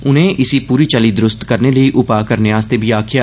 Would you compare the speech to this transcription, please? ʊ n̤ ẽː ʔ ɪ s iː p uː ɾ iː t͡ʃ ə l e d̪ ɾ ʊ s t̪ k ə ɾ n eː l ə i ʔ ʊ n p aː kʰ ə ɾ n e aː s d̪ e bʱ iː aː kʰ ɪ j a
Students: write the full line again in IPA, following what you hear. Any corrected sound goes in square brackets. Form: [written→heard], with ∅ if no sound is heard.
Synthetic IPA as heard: ʊ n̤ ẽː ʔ ɪ s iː p uː ɾ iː t͡ʃ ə l [e→i] d̪ ɾ ʊ s t̪ k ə ɾ n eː l ə i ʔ ʊ [n→∅] p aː [kʰ→k] ə ɾ n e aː s [d̪→t̪] e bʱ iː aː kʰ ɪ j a

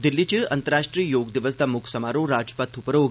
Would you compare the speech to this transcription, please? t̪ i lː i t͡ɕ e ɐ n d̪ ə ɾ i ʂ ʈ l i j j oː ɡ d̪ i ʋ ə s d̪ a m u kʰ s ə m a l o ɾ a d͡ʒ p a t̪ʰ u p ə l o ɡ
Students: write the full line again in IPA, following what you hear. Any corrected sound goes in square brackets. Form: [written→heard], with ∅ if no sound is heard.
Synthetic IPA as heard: [t̪→d̪] i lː i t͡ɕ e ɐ n [d̪→t̪] ə ɾ [i→a] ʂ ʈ [l→ɾ] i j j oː ɡ d̪ i ʋ ə s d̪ a m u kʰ s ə m a [l→ɾ] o ɾ a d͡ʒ p a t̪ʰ u p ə [l→ɾ] o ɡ

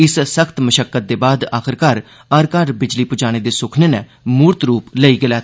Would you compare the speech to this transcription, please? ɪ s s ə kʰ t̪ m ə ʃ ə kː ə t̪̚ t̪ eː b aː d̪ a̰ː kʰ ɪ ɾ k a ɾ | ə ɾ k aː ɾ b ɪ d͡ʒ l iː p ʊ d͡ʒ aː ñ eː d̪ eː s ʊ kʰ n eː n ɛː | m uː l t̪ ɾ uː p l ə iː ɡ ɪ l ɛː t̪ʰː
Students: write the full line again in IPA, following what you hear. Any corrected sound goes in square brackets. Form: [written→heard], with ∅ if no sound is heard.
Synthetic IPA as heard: ɪ s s ə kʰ t̪ m ə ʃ ə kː ə t̪̚ [t̪→d̪] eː b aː d̪ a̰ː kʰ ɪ ɾ k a ɾ | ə ɾ k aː ɾ b ɪ d͡ʒ l iː p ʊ d͡ʒ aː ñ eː d̪ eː s ʊ kʰ n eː n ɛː | m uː [l→ɾ] t̪ ɾ uː p l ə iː ɡ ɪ l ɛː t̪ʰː

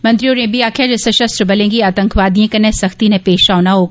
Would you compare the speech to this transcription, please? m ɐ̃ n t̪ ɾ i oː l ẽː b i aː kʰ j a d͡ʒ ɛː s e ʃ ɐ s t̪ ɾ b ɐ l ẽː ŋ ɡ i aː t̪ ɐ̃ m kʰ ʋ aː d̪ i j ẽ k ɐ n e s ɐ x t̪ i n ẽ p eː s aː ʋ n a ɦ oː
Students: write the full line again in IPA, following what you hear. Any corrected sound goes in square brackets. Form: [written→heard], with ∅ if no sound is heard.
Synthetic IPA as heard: m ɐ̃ n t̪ ɾ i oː [l→ɾ] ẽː b i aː kʰ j a d͡ʒ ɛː s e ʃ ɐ s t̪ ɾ b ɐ l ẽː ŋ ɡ i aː t̪ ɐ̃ [m→ŋ] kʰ ʋ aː d̪ i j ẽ k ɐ n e s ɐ x t̪ i n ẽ p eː [s→ʃ] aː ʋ n a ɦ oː

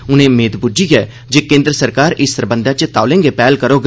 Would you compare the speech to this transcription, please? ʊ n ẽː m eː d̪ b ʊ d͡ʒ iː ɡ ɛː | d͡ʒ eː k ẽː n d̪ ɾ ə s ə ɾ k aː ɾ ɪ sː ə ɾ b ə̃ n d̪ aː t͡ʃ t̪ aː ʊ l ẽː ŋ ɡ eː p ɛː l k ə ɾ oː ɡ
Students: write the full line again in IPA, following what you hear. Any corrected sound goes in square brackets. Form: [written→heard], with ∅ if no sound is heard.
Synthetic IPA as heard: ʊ n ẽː m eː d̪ b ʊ d͡ʒ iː ɡ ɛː | d͡ʒ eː k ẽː n d̪ ɾ ə s ə ɾ k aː ɾ ɪ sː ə ɾ b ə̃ n d̪ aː t͡ʃ t̪ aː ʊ l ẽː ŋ ɡ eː p ɛː l k ə ɾ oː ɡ

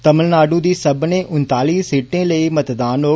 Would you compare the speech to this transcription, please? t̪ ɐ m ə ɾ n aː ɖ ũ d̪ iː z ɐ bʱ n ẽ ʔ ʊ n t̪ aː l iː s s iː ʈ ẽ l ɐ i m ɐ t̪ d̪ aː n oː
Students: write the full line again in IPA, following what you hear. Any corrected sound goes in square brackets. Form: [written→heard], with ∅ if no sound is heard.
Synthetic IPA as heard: t̪ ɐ m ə [ɾ→l] n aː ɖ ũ d̪ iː [z→s] ɐ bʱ n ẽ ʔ ʊ n t̪ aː l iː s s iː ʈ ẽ l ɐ i m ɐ t̪ d̪ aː n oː

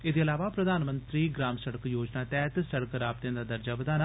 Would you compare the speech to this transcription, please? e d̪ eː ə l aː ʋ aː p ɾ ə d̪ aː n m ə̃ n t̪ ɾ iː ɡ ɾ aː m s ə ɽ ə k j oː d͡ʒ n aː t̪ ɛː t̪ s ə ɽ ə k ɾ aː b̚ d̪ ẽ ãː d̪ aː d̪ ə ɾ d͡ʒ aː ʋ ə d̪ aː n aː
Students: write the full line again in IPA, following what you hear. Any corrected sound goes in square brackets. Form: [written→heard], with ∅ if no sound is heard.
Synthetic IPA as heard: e d̪ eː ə l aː ʋ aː p ɾ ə d̪ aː n m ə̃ n t̪ ɾ iː ɡ ɾ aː m s ə ɽ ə k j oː d͡ʒ n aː t̪ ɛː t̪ s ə ɽ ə k ɾ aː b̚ [d̪→t̪] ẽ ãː d̪ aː d̪ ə ɾ d͡ʒ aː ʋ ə d̪ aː n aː

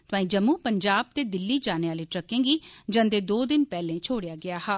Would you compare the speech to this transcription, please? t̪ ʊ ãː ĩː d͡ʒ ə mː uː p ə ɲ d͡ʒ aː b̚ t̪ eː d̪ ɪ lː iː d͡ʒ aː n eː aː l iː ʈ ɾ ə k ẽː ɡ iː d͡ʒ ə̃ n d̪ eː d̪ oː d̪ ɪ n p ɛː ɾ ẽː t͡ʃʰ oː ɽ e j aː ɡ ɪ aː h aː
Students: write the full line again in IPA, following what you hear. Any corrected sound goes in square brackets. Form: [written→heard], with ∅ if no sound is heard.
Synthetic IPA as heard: t̪ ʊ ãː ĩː d͡ʒ ə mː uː p ə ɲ d͡ʒ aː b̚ t̪ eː d̪ ɪ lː iː d͡ʒ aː n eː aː l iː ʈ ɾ ə k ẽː ɡ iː d͡ʒ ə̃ n d̪ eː d̪ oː d̪ ɪ n p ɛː [ɾ→l] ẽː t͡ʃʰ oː ɽ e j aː ɡ ɪ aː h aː

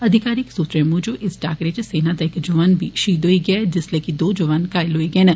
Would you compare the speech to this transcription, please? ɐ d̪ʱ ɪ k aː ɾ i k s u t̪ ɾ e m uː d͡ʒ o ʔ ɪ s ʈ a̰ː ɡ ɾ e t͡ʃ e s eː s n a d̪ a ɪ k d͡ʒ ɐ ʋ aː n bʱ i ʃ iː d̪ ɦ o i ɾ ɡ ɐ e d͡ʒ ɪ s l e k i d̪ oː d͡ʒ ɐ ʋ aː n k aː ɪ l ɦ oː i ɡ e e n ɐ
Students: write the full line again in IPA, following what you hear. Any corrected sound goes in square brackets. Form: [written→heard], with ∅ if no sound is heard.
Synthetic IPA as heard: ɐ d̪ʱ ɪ k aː ɾ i k s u t̪ ɾ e m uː d͡ʒ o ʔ ɪ s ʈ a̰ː [ɡ→k] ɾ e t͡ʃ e s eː [s→∅] n a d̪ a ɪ k d͡ʒ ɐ ʋ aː n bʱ i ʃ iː d̪ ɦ o i [ɾ→∅] ɡ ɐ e d͡ʒ ɪ s l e k i d̪ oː d͡ʒ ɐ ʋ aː n k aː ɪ l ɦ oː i ɡ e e n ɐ

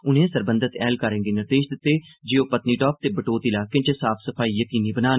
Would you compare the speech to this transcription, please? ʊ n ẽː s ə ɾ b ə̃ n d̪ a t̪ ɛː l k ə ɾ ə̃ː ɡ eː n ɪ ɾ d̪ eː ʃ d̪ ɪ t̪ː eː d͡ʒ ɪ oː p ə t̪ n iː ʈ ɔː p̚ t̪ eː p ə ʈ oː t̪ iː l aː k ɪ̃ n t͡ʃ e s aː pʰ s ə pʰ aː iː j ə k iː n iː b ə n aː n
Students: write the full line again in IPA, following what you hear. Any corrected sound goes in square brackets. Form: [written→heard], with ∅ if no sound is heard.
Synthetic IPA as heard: ʊ n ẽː s ə ɾ b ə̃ n d̪ [a→ə] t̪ ɛː l k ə ɾ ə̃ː ɡ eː n ɪ ɾ d̪ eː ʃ d̪ ɪ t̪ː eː d͡ʒ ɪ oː p ə t̪ n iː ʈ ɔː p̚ t̪ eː [p→b] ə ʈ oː t̪ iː l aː k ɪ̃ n t͡ʃ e s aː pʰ s ə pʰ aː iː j ə k iː n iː b ə n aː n

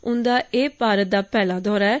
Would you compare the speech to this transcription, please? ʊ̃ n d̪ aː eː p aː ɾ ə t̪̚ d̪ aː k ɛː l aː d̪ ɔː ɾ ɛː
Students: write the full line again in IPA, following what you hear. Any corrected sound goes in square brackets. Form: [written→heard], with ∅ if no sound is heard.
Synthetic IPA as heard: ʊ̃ n d̪ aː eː p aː ɾ ə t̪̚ d̪ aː [k→p] ɛː l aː d̪ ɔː ɾ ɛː

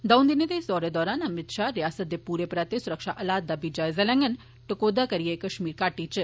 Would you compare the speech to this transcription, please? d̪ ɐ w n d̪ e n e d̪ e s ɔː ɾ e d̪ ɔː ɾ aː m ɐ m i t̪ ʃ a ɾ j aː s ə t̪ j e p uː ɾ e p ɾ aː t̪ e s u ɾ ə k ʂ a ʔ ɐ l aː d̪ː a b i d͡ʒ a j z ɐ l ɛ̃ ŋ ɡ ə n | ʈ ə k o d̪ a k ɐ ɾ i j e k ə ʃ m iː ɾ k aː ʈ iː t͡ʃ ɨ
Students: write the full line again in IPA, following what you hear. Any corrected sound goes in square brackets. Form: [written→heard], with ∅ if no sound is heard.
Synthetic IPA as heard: d̪ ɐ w n d̪ [e→i] n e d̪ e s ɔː ɾ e d̪ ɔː ɾ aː [m→n] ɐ m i t̪ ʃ a ɾ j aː s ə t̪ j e p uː ɾ e p ɾ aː t̪ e s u ɾ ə k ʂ a ʔ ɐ l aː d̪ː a b i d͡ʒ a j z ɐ l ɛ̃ ŋ ɡ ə n | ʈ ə k o d̪ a k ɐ ɾ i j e k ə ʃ m iː ɾ k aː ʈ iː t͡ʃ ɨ

